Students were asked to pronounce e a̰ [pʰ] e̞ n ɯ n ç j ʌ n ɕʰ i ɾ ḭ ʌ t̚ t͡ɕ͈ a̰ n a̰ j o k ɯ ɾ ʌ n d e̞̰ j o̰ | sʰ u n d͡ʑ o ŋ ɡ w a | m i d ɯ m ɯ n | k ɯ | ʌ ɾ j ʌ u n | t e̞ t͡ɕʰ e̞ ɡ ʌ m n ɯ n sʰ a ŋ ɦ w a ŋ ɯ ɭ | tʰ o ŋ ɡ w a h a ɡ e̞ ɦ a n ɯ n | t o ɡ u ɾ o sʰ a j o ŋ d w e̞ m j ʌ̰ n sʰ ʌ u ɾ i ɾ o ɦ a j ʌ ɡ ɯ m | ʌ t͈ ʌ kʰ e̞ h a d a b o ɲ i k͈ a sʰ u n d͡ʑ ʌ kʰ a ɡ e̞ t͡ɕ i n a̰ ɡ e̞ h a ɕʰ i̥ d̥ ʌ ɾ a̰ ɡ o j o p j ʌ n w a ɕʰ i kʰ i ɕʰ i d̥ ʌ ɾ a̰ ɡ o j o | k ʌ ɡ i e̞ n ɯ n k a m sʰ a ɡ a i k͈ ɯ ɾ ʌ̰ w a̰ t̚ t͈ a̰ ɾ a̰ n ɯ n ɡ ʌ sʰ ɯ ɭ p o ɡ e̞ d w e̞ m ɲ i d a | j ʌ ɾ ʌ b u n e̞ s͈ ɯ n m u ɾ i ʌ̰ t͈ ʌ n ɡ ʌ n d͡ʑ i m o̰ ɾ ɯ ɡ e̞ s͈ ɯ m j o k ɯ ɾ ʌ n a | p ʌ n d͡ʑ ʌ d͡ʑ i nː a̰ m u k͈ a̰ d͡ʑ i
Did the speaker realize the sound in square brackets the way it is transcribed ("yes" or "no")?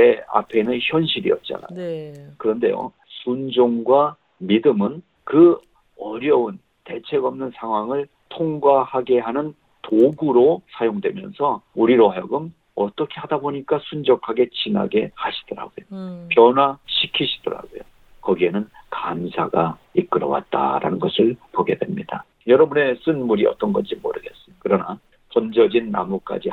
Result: yes